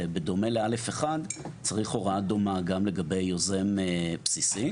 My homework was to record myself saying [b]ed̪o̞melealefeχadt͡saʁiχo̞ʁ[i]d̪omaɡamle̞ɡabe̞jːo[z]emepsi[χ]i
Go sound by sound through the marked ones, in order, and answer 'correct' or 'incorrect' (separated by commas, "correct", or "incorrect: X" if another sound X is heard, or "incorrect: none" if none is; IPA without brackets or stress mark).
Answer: correct, incorrect: a, correct, incorrect: s